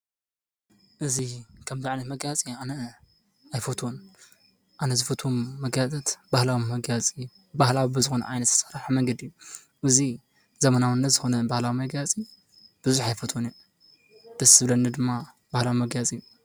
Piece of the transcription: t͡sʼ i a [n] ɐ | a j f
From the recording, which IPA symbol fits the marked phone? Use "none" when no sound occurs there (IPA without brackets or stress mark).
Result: n